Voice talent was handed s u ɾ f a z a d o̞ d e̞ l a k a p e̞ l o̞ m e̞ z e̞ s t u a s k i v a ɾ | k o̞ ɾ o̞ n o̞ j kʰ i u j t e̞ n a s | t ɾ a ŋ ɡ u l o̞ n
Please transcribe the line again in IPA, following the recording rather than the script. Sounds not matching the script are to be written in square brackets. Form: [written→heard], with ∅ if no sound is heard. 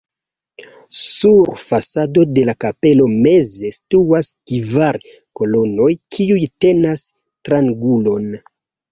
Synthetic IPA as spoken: s u ɾ f a [z→s] a d o̞ d e̞ l a k a p e̞ l o̞ m e̞ z e̞ s t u a s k i v a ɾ | k o̞ [ɾ→l] o̞ n o̞ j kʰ i u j t e̞ n a s | t ɾ a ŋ ɡ u l o̞ n